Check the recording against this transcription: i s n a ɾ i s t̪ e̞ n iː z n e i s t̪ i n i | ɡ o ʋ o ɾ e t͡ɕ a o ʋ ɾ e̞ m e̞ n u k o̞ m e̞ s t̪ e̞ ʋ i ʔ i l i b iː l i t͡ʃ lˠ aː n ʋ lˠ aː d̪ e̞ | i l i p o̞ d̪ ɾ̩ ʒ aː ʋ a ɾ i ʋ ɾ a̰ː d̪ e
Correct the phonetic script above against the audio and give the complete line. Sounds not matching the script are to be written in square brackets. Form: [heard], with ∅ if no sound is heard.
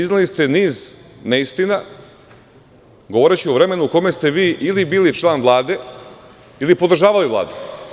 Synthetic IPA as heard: i [z] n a [l] i s t̪ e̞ n iː z n e i s t̪ i n [a] | ɡ o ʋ o ɾ e t͡ɕ [i] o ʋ ɾ e̞ m e̞ n u k o̞ m e̞ s t̪ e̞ ʋ [iː] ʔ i l i b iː l i t͡ʃ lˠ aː n ʋ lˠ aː d̪ e̞ | i l i p o̞ d̪ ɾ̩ ʒ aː ʋ a [l] i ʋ [l] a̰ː d̪ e